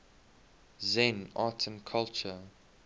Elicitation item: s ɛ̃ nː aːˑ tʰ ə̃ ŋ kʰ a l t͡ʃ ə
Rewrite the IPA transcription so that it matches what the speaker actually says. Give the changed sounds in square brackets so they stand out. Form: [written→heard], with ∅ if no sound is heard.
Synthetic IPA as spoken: [s→z] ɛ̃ [nː→n] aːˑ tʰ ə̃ [ŋ→n] kʰ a l t͡ʃ ə